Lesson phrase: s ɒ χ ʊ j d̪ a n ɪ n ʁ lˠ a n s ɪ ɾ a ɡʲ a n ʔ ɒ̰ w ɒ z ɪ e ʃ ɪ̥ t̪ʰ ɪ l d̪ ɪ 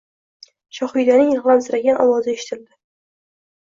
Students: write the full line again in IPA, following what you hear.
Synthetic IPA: ʃ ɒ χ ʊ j d̪ a n ɪ ŋ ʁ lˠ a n s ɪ ɾ a ɡʲ a n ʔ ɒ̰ w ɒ z ɪ e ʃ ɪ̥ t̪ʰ ɪ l d̪ ɪ